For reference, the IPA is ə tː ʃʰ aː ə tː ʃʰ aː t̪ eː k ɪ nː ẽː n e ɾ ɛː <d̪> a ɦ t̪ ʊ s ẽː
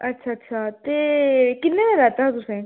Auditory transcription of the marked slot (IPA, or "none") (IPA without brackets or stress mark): t̪